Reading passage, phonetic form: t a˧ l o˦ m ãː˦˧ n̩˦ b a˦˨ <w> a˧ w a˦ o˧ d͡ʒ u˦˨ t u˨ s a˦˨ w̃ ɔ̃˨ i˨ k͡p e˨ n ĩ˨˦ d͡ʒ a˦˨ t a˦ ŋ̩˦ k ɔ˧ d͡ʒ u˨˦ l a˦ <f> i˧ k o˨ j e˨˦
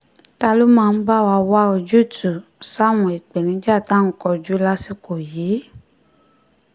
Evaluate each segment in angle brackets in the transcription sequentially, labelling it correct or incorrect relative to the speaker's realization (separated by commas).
correct, incorrect